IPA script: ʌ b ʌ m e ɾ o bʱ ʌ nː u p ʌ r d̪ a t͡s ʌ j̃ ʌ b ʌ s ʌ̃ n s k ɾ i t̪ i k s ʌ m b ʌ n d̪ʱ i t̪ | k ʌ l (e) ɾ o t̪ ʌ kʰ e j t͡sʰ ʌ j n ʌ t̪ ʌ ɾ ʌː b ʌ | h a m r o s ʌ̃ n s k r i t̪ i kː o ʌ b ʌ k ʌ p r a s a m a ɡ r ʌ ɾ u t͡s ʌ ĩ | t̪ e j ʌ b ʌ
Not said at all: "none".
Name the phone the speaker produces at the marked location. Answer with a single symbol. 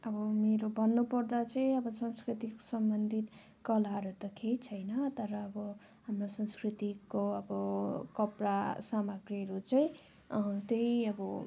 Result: a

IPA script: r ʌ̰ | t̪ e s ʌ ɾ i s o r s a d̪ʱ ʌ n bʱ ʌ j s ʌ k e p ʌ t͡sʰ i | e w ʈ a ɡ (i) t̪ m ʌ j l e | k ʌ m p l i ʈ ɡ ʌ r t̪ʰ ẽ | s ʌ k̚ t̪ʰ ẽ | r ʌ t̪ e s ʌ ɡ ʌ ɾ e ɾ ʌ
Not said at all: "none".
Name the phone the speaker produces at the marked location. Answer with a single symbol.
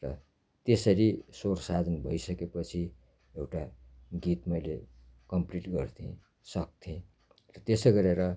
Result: i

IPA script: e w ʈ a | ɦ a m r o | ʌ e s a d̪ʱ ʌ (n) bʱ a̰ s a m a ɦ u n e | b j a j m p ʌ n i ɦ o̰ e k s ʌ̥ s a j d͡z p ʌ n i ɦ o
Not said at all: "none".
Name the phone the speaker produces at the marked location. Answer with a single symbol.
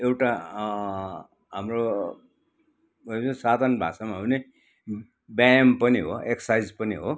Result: n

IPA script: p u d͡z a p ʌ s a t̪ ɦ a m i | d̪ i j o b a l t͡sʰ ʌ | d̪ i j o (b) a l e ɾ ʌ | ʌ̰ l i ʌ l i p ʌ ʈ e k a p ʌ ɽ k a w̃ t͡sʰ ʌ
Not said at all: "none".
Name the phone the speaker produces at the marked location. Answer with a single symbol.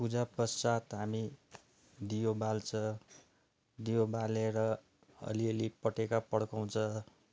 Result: b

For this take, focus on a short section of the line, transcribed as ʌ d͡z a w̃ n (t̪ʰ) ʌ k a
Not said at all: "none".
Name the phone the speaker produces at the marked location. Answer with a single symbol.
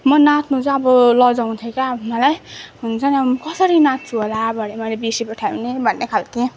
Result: t̪ʰ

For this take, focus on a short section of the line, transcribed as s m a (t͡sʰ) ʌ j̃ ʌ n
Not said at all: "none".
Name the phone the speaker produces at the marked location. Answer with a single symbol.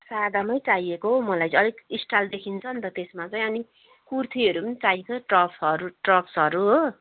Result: t͡s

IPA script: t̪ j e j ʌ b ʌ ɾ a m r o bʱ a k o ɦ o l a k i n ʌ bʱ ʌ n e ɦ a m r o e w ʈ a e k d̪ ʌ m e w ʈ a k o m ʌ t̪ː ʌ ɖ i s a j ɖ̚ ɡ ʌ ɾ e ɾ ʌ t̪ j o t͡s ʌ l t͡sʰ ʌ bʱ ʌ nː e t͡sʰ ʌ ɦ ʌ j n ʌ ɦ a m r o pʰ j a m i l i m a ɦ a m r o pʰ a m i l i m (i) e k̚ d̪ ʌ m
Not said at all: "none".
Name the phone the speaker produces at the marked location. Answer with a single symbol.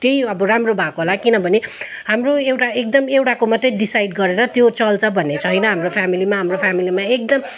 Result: a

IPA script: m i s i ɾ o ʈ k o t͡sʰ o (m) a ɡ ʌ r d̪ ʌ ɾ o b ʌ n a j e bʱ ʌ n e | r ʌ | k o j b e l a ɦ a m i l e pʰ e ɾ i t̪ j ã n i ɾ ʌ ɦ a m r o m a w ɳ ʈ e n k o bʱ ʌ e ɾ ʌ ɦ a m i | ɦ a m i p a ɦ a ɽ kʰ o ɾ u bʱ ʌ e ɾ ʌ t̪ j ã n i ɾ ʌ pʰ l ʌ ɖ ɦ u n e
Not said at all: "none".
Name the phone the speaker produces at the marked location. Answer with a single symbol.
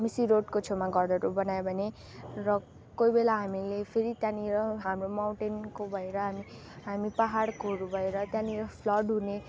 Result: m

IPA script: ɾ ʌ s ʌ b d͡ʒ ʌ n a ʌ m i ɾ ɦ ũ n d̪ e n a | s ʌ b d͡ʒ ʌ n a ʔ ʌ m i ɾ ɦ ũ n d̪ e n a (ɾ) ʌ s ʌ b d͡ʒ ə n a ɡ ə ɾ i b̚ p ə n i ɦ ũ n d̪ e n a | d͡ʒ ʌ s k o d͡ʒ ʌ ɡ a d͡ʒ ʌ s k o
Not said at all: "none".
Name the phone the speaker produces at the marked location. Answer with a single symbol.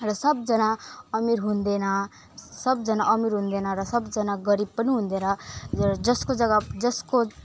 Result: ɾ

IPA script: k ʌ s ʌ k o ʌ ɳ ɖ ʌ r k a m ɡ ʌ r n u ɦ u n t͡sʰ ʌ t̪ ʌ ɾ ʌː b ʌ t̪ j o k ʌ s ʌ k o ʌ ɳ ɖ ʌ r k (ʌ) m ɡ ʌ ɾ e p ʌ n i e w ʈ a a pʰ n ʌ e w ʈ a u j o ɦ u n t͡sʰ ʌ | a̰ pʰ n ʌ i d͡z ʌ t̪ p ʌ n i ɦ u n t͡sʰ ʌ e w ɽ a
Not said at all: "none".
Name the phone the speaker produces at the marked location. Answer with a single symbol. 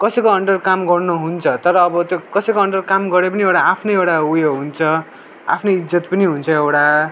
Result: a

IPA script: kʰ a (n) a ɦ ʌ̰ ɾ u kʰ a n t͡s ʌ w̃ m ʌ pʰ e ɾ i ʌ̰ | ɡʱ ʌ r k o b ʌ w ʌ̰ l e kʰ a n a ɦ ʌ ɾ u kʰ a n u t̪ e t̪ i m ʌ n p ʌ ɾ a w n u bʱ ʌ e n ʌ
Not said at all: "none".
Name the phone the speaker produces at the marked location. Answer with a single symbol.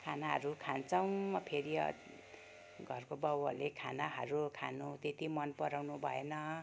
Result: n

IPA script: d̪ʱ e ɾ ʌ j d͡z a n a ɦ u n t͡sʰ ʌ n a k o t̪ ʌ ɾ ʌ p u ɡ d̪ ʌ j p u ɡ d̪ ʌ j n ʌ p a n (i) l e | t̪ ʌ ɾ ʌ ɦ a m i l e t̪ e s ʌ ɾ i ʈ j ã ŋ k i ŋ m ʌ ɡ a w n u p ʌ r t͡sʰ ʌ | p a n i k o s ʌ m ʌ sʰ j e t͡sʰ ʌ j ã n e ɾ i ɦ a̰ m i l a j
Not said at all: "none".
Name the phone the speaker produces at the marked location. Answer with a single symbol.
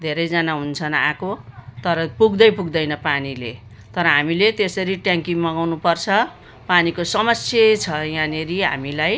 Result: i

